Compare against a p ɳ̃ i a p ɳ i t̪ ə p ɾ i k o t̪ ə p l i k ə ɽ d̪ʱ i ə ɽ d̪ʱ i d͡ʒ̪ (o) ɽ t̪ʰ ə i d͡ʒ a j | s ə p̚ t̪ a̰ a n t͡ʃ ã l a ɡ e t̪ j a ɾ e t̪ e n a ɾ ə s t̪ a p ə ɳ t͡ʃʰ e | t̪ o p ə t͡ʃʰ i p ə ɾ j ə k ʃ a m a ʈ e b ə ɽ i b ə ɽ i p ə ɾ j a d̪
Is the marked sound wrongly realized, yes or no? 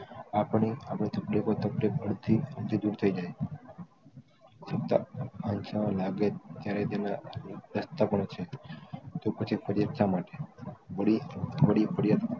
yes